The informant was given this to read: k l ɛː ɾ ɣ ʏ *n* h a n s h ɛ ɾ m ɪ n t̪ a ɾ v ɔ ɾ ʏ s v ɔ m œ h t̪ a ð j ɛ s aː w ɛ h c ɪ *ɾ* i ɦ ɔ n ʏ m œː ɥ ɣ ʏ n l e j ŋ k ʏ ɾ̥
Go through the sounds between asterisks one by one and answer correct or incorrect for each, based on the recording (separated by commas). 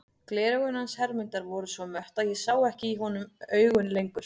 correct, incorrect